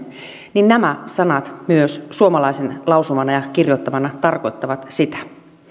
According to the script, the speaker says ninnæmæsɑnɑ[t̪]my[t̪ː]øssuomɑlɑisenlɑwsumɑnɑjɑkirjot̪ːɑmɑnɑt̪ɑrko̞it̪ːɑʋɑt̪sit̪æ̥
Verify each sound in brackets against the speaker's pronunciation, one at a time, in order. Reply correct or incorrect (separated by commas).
correct, incorrect